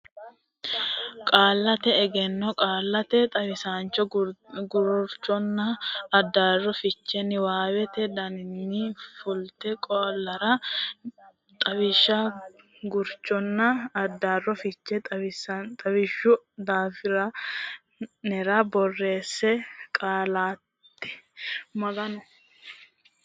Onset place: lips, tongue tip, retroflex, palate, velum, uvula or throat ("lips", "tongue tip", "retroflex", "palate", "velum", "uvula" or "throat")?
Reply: velum